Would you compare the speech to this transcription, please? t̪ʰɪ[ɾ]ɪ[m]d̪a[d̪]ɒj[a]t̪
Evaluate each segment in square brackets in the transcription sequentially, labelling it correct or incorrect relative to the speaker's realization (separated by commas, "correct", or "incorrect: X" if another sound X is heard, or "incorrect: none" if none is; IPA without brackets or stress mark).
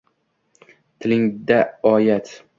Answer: incorrect: l, incorrect: ŋ, incorrect: none, correct